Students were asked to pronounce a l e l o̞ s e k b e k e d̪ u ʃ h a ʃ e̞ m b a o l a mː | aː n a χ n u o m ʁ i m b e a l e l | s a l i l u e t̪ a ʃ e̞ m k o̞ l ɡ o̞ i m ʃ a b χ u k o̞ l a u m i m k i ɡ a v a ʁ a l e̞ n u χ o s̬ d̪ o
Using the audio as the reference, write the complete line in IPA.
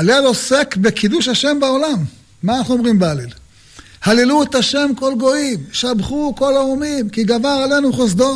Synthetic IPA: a l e l o̞ s e k b e k i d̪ u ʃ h a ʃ e̞ m b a o l a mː | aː n a χ n u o m ʁ i m b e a l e l | h a l i l u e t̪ a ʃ e̞ m k o̞ l ɡ o̞ i m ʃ a b χ u k o̞ l a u m i m k i ɡ a v a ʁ a l e̞ n u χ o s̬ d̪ o